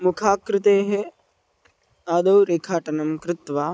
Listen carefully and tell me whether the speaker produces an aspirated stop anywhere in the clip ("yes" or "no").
yes